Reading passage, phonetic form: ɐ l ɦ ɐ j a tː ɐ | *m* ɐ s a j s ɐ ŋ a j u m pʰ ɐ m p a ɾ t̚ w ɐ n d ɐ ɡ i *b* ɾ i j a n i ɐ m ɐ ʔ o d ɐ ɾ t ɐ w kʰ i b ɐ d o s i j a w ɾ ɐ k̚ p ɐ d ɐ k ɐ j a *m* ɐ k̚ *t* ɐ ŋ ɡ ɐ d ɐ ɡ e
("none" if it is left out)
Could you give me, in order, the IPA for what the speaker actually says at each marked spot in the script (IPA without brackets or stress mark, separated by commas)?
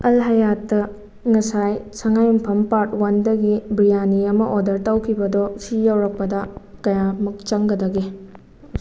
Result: ŋ, b, m, t͡ʃ